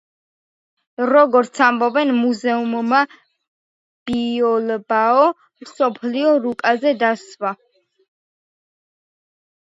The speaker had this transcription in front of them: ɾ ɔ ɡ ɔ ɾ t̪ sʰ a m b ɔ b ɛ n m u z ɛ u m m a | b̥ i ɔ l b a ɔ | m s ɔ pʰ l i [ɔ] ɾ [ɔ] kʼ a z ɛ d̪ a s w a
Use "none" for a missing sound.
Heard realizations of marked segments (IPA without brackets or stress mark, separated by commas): ɔ, u